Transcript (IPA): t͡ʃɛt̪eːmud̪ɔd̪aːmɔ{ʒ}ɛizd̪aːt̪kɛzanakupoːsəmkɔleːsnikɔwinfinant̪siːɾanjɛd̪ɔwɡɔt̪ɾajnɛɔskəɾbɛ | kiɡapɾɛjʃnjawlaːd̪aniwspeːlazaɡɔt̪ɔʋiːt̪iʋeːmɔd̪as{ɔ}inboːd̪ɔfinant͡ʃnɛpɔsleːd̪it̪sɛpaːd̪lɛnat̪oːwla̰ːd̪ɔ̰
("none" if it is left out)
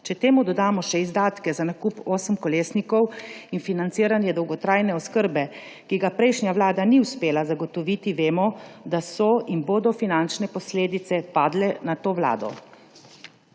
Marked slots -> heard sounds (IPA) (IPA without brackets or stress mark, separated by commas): ʃ, ɔ